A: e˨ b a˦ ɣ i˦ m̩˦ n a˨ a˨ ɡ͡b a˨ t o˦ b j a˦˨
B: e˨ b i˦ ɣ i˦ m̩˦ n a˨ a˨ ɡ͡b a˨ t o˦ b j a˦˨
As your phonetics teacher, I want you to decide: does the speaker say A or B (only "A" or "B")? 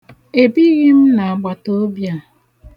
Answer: B